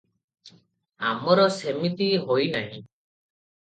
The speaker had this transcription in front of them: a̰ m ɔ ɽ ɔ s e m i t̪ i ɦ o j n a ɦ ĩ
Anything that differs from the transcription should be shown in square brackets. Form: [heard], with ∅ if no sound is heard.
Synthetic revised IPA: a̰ m ɔ [ɾ] ɔ s e m i t̪ i ɦ o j n a ɦ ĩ